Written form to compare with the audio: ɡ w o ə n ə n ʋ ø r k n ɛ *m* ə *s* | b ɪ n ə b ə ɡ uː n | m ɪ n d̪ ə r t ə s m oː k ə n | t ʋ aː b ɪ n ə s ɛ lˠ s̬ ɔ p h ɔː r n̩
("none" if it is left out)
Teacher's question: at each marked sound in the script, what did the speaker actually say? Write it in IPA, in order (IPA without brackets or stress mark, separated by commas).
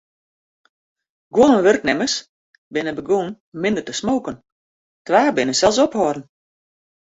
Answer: m, s